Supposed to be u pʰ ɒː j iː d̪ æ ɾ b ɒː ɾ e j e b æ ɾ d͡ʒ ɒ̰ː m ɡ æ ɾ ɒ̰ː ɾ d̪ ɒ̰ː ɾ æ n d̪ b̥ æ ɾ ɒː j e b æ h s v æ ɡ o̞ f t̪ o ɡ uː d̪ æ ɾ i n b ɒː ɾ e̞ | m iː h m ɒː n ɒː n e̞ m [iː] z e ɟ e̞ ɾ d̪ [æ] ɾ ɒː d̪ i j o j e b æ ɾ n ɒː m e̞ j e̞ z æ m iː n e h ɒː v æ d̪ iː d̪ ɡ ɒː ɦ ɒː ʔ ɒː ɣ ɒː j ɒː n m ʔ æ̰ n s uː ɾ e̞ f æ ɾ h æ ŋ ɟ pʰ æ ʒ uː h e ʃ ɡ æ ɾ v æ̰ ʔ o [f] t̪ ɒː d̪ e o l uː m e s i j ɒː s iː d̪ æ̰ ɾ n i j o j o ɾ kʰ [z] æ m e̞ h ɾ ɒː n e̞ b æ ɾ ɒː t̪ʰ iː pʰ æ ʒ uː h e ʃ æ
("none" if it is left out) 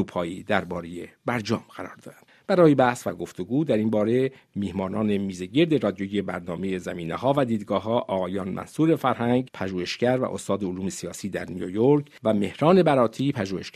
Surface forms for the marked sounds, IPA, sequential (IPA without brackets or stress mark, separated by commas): iː, e, s, v